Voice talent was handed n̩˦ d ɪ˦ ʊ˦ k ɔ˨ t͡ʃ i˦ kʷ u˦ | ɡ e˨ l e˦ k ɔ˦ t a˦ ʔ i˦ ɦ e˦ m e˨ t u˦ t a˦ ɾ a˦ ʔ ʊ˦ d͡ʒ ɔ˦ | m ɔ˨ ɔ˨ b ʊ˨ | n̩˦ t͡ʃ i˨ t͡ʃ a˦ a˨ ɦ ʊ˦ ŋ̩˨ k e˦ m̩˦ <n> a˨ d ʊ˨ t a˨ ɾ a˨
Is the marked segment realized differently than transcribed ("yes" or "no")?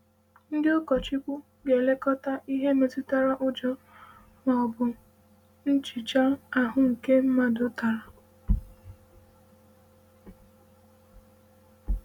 yes